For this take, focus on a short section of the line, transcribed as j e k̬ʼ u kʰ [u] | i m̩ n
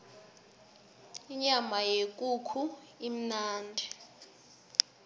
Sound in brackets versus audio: correct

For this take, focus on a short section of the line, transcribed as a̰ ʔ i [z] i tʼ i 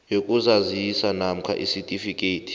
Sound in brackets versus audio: incorrect: s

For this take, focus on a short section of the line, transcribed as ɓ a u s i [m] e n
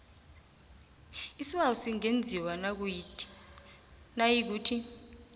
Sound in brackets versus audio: incorrect: ŋ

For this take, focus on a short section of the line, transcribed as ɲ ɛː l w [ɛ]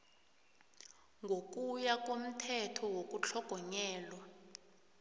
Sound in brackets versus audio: incorrect: a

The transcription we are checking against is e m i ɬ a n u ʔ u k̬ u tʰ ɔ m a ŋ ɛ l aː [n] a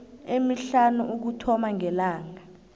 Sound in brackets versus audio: incorrect: ŋ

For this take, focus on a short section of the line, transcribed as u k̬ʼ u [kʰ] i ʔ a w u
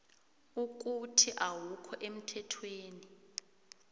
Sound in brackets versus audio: incorrect: tʰ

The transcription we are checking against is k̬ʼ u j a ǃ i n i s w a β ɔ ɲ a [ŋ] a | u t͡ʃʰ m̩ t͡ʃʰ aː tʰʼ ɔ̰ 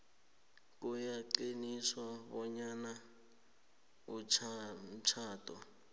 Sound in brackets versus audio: incorrect: n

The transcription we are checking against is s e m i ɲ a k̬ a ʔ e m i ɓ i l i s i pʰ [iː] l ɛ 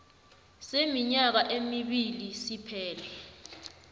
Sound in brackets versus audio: incorrect: ɛː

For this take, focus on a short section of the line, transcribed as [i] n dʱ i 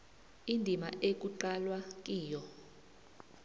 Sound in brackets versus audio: correct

